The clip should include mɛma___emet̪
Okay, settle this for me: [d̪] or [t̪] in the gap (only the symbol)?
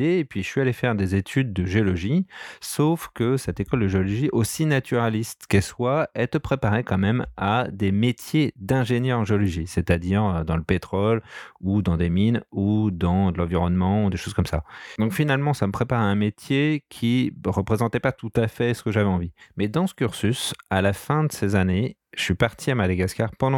d̪